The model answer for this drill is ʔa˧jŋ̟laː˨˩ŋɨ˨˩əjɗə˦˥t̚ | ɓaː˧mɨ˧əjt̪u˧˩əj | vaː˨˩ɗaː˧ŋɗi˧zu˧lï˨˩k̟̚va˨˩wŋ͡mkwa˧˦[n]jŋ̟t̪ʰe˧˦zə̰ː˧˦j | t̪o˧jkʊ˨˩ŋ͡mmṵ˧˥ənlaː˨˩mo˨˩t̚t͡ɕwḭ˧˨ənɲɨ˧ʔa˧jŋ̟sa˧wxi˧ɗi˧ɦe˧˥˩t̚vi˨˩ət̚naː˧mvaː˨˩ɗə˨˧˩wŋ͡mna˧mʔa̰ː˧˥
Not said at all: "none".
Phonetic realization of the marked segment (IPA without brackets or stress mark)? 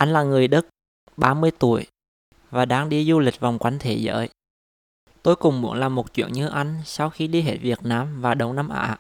none